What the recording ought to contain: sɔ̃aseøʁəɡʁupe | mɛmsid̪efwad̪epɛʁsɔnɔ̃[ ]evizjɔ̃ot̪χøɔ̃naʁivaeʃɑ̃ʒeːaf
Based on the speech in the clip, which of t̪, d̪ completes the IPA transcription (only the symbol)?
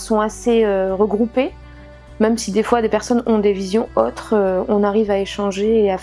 d̪